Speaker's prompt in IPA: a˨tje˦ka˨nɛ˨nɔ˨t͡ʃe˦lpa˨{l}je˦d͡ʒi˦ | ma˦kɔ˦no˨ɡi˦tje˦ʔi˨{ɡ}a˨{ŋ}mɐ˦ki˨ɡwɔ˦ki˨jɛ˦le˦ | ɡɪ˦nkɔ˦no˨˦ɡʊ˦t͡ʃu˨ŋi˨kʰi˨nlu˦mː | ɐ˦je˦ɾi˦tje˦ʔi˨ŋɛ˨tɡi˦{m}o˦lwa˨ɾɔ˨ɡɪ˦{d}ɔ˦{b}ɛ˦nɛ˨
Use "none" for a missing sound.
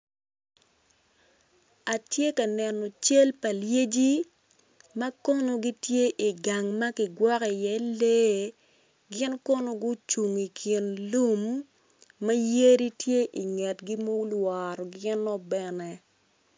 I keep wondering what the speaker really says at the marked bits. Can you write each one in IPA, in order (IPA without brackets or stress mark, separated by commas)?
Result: l, ɡ, ŋ, m, n, b